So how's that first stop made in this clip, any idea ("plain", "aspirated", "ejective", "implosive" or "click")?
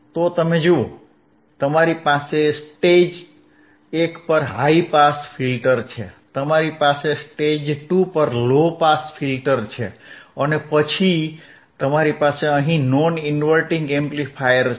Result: plain